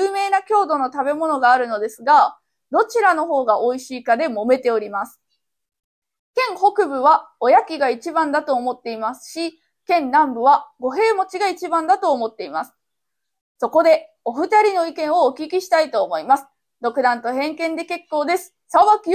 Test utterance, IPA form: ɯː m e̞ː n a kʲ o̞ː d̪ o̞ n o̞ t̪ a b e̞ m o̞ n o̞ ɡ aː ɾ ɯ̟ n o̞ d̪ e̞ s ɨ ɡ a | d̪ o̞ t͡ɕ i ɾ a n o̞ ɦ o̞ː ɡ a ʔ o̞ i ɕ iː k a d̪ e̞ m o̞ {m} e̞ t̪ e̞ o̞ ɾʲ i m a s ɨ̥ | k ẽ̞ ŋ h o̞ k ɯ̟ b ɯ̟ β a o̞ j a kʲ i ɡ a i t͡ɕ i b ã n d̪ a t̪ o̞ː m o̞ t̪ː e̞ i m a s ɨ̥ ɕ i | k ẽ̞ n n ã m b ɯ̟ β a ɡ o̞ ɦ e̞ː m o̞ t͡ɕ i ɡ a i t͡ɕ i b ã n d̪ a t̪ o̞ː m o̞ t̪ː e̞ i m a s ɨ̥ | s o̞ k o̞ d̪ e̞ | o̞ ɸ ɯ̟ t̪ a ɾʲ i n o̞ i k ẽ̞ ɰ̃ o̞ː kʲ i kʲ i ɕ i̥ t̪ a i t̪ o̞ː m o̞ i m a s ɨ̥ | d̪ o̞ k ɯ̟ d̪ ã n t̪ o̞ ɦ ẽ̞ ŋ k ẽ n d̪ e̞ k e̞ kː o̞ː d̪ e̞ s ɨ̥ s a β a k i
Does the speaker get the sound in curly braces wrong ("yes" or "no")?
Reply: no